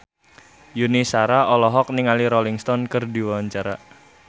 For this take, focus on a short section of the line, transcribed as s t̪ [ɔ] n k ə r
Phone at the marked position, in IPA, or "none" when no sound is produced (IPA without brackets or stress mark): ɔ